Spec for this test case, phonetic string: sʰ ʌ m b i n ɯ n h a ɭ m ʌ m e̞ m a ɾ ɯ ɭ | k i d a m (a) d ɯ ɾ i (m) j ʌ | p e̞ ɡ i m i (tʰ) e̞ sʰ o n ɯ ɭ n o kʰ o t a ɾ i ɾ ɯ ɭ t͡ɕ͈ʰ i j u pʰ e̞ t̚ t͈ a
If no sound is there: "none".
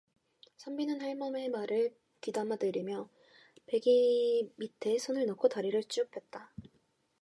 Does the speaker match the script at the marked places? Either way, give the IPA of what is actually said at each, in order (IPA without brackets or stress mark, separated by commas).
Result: a, m, tʰ